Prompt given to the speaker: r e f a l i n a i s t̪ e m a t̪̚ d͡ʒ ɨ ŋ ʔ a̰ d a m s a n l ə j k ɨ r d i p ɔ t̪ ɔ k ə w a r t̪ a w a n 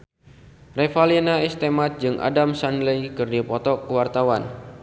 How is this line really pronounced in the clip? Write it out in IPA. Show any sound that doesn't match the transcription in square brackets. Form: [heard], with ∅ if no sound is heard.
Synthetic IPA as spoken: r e f a l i n a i s t̪ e m a t̪̚ d͡ʒ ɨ ŋ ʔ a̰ d a m s a n l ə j k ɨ r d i p ɔ t̪ ɔ k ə w a r t̪ a w a n

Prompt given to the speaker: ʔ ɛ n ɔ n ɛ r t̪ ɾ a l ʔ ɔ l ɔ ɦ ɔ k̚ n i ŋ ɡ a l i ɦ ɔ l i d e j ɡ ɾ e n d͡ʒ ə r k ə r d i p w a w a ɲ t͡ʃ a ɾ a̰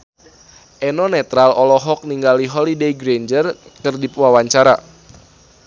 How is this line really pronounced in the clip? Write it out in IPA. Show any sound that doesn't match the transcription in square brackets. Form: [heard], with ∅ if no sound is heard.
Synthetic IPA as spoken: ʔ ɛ n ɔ n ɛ [∅] t̪ ɾ a l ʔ ɔ l ɔ ɦ ɔ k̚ n i ŋ ɡ a l i ɦ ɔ l i d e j ɡ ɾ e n d͡ʒ ə r k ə r d i p w a w a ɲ t͡ʃ a ɾ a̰

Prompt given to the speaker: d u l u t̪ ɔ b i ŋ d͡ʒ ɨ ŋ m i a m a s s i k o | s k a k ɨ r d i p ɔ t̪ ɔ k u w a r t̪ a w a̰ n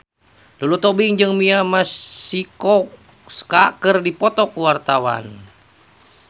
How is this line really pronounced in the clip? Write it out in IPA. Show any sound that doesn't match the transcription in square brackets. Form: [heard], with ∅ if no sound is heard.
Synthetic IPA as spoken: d u l u t̪ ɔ b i ŋ d͡ʒ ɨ ŋ m i a m a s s i k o | s k a k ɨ r d i p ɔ t̪ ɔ k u w a r t̪ a w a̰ n

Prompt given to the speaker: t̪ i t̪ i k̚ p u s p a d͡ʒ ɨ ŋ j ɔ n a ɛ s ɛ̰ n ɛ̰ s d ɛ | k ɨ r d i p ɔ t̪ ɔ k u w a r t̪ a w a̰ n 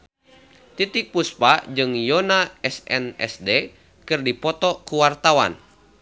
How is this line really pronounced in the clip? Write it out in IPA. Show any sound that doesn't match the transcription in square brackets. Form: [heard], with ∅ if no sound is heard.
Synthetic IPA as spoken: t̪ i t̪ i k̚ p u s p a d͡ʒ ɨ ŋ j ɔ n a ɛ s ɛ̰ n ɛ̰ s d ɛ | k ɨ r d i p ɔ t̪ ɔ k u w a r t̪ a w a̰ n

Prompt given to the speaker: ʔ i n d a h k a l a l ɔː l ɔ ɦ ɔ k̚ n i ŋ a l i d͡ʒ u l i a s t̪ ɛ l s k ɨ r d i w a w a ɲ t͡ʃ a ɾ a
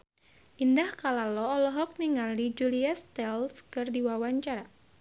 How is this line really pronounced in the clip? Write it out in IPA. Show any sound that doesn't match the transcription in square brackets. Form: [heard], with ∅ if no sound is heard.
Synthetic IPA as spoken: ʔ i n d a h k a l a l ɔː l ɔ ɦ ɔ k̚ n i ŋ a l i d͡ʒ u l i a s t̪ ɛ l s k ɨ r d i w a w a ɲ t͡ʃ a ɾ a

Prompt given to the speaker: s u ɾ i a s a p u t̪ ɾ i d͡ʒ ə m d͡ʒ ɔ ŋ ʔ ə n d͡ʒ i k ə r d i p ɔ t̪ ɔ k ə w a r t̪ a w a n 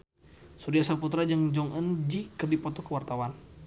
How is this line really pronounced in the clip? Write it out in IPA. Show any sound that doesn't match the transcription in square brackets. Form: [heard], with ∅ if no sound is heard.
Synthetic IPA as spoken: s u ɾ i a s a p u t̪ ɾ [a] d͡ʒ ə [ŋ] d͡ʒ ɔ ŋ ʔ ə n d͡ʒ i k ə r d i p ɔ t̪ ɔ k ə w a r t̪ a w a n

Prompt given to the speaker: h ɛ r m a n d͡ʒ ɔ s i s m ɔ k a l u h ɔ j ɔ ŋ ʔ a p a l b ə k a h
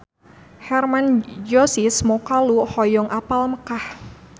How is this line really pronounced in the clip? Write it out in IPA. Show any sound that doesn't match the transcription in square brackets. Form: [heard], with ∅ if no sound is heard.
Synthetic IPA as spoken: h ɛ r m a n d͡ʒ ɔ s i s m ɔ k a l u h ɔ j ɔ ŋ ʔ a p a l [m] ə k a h

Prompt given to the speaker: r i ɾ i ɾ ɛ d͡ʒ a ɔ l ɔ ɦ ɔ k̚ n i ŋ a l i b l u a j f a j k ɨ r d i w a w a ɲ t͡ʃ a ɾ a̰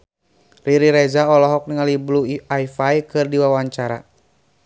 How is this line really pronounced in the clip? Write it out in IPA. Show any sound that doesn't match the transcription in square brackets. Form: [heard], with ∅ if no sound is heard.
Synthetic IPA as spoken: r i ɾ i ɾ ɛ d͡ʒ a ɔ l ɔ ɦ ɔ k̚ n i ŋ a l i b l u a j f a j k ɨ r d i w a w a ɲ t͡ʃ a ɾ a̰

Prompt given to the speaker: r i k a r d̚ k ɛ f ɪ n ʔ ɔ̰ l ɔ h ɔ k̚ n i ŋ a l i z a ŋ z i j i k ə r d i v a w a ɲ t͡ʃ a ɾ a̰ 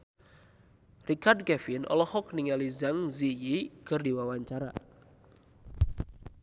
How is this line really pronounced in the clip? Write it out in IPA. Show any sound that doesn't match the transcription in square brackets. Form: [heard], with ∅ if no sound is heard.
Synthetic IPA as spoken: r i k a r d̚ k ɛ f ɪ n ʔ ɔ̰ l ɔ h ɔ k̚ n i ŋ a l i z a ŋ z i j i k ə r d i [w] a w a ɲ t͡ʃ a ɾ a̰

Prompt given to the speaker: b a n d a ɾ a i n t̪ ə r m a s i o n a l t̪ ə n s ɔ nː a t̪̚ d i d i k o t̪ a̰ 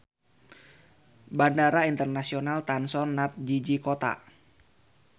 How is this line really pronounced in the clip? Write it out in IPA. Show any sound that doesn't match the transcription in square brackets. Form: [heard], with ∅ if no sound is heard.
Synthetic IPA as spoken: b a n d a ɾ a i n t̪ ə r [n] a s i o n a l t̪ [a] n s ɔ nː a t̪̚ [d͡ʒ] i [d͡ʒ] i k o t̪ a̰

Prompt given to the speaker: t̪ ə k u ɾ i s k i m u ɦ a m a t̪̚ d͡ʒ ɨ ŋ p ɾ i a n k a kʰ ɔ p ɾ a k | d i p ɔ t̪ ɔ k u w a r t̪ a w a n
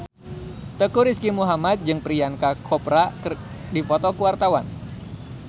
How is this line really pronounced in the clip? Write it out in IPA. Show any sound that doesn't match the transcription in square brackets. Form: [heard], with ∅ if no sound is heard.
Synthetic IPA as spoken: t̪ ə k u ɾ i s k i m u ɦ a m a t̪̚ d͡ʒ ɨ ŋ p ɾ i a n k a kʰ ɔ p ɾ a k | d i p ɔ t̪ ɔ k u w a r t̪ a w a n

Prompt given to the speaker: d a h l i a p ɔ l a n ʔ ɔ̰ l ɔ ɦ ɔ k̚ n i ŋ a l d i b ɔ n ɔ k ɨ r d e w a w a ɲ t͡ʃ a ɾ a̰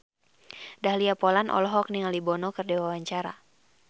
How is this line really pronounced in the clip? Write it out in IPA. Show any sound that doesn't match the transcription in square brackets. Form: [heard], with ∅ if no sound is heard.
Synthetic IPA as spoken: d a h l i a p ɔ l a n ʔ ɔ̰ l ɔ ɦ ɔ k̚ n i ŋ a l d i b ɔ n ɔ k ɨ r d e w a w a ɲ t͡ʃ a ɾ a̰

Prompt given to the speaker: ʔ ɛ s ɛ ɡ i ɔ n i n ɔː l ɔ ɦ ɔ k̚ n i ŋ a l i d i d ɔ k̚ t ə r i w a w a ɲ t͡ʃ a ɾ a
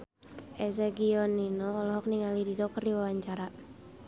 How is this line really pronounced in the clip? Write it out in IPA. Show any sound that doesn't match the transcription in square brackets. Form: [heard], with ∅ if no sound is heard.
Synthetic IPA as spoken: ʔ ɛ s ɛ ɡ i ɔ n i n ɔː l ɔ ɦ ɔ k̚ n i ŋ a l i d i d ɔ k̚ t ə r i w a w a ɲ t͡ʃ a ɾ a

